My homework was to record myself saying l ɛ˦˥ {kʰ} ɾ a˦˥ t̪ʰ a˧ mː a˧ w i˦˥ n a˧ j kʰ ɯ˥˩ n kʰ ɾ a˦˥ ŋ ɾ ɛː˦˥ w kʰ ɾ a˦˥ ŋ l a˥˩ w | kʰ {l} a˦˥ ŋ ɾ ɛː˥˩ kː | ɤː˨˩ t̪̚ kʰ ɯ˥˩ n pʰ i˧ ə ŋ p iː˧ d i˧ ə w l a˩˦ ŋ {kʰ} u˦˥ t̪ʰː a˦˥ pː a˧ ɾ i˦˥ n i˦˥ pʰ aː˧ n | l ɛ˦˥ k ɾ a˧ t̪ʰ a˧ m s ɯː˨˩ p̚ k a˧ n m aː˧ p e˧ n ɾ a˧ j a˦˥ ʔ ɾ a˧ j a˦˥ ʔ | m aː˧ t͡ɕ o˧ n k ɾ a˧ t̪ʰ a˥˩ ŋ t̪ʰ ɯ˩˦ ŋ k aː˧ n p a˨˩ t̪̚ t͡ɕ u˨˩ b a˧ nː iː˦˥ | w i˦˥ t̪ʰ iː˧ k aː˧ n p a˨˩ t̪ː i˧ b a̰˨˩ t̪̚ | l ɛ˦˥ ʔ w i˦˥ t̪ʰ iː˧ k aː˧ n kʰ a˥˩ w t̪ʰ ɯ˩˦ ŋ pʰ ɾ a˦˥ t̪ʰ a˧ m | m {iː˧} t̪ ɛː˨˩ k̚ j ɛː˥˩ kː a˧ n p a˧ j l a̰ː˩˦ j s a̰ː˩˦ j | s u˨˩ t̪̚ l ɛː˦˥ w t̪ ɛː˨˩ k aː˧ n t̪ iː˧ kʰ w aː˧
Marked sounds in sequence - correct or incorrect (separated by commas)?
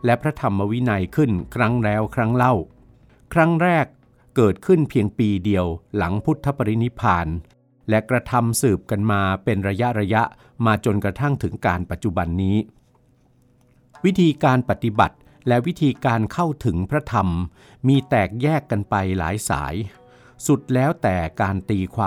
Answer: incorrect, incorrect, incorrect, correct